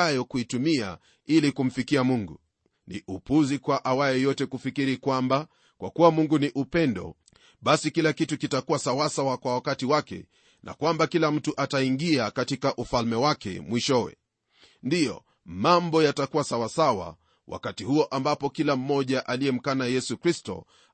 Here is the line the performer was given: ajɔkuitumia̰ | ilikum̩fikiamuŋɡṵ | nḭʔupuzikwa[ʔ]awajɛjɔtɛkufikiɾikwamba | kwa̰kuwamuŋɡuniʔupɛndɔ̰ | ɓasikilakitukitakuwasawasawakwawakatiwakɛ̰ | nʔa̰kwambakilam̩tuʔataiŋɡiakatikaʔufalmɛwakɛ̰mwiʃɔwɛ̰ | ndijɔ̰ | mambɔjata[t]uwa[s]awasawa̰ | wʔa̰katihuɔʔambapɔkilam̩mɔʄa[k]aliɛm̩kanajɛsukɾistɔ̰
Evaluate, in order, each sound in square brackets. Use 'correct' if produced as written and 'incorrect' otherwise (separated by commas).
correct, incorrect, correct, incorrect